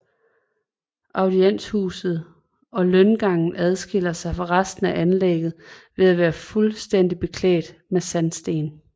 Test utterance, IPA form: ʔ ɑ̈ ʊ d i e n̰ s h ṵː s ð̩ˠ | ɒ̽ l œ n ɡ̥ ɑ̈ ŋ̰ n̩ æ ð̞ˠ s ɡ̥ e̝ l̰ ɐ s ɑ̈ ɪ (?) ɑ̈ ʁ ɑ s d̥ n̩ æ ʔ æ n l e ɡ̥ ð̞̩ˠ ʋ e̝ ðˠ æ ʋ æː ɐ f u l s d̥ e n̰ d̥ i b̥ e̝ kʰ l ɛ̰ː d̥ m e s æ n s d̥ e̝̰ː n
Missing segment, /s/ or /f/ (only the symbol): f